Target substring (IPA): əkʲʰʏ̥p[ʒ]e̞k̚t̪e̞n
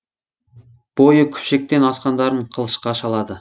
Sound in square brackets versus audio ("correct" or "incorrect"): incorrect